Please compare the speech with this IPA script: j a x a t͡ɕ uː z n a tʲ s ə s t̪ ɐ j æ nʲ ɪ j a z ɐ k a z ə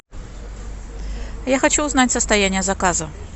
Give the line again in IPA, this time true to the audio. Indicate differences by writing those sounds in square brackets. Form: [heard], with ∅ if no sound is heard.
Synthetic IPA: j a x [ɐ] t͡ɕ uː z n a tʲ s ə s t̪ ɐ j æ nʲ ɪ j [ə] z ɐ k a z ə

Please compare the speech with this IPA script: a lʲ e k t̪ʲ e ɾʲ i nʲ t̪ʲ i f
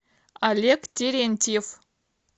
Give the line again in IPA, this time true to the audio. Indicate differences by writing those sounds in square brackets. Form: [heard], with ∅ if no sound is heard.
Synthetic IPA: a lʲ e k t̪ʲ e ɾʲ [e] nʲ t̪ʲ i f

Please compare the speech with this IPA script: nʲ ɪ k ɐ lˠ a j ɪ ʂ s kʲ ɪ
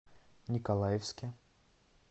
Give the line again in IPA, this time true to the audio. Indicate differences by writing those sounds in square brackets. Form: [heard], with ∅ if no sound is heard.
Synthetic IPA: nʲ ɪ k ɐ lˠ a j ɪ [f] s kʲ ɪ

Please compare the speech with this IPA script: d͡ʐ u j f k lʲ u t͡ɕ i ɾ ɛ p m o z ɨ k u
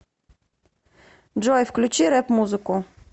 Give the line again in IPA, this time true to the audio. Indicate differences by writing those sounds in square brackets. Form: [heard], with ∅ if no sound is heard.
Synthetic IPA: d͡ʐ [ɔ] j f k lʲ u t͡ɕ i ɾ ɛ p m [u] z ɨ k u

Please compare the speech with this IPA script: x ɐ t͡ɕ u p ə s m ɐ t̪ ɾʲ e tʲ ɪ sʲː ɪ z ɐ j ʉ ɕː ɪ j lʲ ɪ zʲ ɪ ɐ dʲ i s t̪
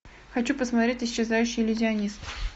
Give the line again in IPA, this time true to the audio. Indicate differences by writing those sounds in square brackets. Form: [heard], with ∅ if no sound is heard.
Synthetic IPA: x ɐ t͡ɕ u p ə s m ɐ t̪ ɾʲ e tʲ ɪ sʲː ɪ z [a] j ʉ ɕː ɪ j lʲ ɪ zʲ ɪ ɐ [nʲ] i s t̪

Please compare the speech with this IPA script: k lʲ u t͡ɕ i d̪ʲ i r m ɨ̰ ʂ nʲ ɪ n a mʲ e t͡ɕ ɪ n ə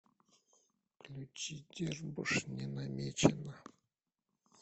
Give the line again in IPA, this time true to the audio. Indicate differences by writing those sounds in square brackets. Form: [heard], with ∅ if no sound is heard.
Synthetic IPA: k lʲ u t͡ɕ i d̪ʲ [e] r [b] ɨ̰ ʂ nʲ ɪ n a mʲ e t͡ɕ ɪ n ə

